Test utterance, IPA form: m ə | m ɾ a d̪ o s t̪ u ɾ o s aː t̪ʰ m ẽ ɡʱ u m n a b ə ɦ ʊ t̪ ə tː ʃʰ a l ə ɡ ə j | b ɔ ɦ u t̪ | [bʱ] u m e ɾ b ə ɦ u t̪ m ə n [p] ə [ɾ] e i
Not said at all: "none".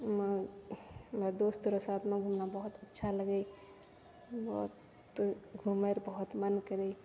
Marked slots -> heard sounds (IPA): ɡʱ, k, ɾ

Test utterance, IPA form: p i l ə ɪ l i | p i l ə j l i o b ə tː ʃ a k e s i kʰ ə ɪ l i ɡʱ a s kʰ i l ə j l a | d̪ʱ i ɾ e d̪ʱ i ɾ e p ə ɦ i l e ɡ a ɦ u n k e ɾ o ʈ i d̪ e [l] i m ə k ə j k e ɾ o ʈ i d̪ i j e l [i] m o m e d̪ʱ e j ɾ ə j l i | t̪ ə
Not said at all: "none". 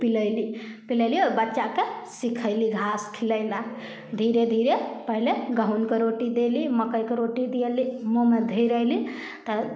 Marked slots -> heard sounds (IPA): l, i

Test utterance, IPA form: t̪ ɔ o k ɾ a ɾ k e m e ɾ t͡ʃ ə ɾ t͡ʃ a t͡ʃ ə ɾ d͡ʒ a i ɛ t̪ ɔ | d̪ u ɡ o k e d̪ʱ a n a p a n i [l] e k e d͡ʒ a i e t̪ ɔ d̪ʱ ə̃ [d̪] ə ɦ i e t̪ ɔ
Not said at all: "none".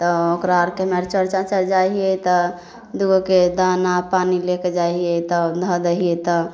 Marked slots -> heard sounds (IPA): l, d̪

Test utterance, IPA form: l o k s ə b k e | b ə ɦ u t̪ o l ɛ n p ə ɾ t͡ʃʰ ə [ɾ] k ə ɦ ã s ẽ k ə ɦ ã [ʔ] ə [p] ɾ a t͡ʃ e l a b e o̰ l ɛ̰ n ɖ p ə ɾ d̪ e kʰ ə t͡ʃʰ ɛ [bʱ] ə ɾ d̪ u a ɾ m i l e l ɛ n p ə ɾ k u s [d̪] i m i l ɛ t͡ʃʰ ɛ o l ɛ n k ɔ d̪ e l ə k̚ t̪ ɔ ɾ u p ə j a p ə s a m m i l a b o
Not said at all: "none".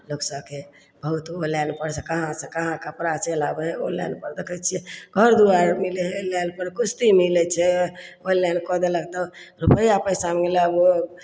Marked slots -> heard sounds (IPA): none, k, p, ɡʱ, t̪

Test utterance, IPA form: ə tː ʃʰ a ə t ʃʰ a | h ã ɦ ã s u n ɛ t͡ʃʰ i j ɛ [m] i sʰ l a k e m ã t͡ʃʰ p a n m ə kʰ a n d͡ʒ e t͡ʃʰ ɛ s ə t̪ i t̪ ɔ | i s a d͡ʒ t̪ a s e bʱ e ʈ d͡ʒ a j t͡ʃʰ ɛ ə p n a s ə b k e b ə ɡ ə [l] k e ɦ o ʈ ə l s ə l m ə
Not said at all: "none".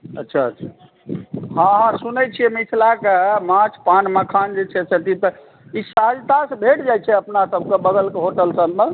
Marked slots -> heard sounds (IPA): m, l

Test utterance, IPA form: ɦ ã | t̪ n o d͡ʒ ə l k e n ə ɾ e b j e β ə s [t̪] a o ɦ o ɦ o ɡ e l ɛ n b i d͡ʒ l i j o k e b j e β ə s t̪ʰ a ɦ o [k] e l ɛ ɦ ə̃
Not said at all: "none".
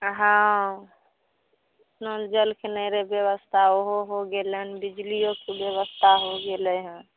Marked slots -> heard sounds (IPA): t̪ʰ, ɡ

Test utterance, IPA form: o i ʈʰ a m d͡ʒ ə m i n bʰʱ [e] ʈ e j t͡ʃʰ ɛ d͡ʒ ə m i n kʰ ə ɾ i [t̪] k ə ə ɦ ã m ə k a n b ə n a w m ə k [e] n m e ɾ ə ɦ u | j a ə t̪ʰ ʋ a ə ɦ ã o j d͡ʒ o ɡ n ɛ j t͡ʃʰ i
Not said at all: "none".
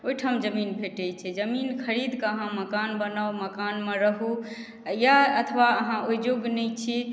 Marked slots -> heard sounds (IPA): e, d̪, a

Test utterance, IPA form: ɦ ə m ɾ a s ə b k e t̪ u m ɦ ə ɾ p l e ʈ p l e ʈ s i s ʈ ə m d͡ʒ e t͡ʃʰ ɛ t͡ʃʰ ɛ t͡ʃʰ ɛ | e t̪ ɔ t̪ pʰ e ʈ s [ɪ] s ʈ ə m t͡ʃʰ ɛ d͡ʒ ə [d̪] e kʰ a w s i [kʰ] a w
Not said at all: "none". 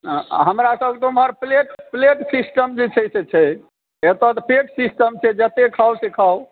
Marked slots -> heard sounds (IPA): i, t̪, kʰ

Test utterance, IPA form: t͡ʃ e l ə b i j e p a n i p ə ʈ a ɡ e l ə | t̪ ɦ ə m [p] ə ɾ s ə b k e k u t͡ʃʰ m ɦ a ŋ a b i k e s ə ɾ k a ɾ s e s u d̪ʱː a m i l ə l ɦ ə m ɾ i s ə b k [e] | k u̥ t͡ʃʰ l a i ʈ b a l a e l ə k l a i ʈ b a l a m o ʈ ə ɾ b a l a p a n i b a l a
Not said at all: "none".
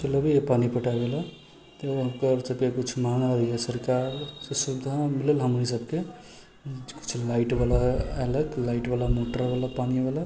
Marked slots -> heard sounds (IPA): k, e

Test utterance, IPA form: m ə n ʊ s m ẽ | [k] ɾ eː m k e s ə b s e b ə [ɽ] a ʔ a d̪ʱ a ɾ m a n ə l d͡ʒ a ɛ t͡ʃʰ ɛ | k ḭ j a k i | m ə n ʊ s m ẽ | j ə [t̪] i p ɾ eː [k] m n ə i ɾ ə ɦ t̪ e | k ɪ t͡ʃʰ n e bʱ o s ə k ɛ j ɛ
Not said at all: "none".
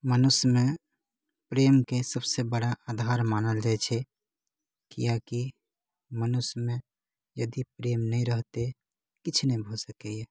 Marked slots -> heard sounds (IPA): p, ɽ, d̪, none

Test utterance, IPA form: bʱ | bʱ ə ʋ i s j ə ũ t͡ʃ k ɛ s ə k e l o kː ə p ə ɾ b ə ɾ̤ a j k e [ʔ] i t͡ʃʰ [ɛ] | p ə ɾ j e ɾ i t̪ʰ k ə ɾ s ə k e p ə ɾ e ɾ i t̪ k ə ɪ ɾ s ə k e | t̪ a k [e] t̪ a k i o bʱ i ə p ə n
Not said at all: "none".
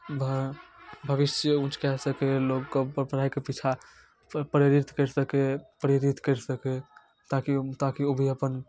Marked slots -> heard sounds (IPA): p, a, i

